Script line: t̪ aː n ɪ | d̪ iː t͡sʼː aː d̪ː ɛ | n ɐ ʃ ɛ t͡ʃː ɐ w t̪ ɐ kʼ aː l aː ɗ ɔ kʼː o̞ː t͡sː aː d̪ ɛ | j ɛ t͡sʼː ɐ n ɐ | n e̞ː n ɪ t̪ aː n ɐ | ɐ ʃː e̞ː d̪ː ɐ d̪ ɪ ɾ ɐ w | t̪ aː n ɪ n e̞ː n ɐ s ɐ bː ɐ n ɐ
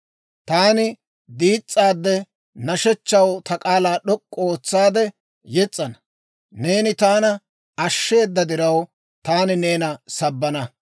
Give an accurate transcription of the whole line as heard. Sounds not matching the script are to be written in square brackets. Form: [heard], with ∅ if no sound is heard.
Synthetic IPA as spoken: t̪ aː n ɪ | d̪ iː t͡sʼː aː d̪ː ɛ | n ɐ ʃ ɛ t͡ʃː ɐ w t̪ ɐ kʼ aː l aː ɗ ɔ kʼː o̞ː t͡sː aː d̪ ɛ | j ɛ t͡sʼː ɐ n ɐ | n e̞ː n ɪ t̪ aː n ɐ | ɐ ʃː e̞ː d̪ː ɐ d̪ ɪ ɾ ɐ w | t̪ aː n ɪ n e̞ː n ɐ s ɐ bː ɐ n ɐ